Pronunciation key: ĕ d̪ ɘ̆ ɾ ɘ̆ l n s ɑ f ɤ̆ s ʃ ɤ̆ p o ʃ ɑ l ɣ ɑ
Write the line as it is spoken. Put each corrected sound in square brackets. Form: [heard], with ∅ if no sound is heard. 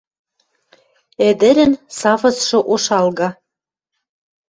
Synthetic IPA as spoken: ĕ d̪ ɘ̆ ɾ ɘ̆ [∅] n s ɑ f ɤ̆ s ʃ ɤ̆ [ʔ] o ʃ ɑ l ɣ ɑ